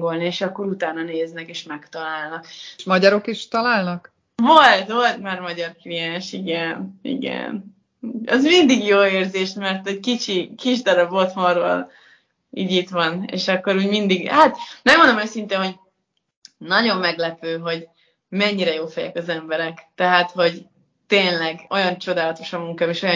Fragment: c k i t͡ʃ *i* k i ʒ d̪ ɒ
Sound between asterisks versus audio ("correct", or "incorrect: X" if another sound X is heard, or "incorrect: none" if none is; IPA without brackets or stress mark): correct